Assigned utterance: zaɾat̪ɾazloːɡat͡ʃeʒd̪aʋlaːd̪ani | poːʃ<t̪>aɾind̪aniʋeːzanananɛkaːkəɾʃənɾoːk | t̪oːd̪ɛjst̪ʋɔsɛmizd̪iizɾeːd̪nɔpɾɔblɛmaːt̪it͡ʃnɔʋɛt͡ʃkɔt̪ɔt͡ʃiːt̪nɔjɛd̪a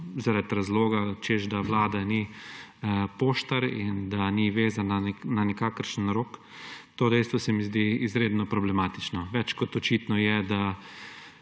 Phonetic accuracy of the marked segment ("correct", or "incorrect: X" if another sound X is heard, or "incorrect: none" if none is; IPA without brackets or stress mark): correct